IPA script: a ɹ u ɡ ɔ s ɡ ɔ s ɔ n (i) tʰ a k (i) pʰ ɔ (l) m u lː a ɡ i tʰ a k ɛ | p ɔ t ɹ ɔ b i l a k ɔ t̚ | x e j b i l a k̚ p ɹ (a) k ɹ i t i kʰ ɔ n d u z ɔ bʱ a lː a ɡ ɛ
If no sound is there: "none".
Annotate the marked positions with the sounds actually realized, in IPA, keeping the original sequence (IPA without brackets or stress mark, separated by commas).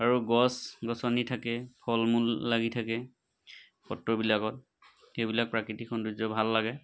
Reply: i, ɛ, l, a